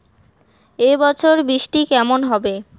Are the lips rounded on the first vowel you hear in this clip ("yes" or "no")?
no